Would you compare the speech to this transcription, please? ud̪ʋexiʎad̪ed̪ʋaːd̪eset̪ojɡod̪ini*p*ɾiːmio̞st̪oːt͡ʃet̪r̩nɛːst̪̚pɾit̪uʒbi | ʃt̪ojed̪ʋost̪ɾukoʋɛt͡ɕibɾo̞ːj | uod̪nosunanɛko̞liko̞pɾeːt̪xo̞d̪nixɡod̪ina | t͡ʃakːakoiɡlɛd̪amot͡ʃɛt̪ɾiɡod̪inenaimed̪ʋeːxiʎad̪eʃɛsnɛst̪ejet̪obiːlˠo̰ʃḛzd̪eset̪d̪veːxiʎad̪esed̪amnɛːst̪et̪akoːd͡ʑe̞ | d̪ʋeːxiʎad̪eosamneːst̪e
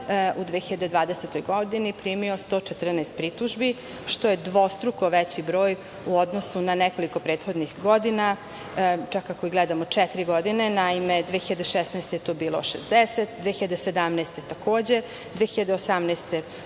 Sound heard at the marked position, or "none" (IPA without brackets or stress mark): p